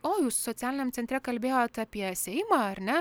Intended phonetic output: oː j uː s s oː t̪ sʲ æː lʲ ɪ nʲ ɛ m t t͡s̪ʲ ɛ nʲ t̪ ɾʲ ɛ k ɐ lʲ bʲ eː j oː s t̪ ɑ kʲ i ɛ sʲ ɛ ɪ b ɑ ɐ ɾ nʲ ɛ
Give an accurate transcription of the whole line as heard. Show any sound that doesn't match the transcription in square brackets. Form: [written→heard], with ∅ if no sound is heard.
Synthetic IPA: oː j uː s s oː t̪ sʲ æː lʲ ɪ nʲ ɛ m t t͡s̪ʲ ɛ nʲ t̪ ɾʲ ɛ k ɐ lʲ bʲ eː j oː [s→∅] t̪ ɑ [kʲ→pʲ] i ɛ sʲ ɛ ɪ [b→m] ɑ ɐ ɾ nʲ ɛ